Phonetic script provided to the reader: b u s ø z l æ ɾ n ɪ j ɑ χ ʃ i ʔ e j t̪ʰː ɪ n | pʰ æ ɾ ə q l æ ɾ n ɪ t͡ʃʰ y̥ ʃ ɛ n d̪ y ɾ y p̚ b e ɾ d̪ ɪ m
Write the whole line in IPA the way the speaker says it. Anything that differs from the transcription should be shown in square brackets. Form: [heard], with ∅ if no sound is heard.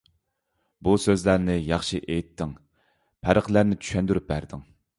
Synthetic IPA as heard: b u s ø z l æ ɾ n ɪ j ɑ χ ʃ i ʔ e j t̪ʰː ɪ [ŋ] | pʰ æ ɾ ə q l æ ɾ n ɪ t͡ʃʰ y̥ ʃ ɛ n d̪ y ɾ y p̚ b [æ] ɾ d̪ ɪ [ŋ]